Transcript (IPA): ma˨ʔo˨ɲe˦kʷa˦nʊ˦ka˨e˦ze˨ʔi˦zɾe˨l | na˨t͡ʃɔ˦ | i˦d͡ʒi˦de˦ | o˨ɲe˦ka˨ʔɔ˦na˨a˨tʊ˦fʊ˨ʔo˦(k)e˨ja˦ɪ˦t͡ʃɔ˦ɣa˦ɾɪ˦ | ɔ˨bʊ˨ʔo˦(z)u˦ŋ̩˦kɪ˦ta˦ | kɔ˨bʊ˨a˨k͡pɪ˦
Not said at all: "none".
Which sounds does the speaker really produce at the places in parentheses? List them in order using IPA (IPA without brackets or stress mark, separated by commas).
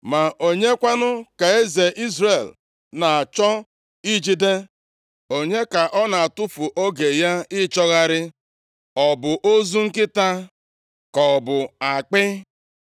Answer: ɡ, z